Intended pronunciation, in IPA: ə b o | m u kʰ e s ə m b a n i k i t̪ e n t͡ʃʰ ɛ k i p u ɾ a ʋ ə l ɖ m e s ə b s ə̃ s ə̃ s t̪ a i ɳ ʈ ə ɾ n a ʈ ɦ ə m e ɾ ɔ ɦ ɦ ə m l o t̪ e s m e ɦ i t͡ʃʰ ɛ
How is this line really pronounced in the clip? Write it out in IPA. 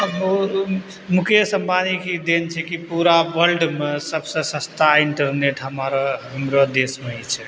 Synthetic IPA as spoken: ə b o | m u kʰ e s ə m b a n i k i d̪ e n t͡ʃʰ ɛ k i p u ɾ a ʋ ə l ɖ m e s ə b s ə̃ s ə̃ s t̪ a i ɳ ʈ ə ɾ n e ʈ ɦ ə m a ɾ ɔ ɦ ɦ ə m ɾ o d̪ e s m e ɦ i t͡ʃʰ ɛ